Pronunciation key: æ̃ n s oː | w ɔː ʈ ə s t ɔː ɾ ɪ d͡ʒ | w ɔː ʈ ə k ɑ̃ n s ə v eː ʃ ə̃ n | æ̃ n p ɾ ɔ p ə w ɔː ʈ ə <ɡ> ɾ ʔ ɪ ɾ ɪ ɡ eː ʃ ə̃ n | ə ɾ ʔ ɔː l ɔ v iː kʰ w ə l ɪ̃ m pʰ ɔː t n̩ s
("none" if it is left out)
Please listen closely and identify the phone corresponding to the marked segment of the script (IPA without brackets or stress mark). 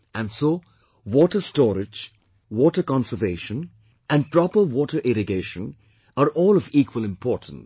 none